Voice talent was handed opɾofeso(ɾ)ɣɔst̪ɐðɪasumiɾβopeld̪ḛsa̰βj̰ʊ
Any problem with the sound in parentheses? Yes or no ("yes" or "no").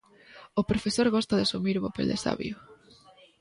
no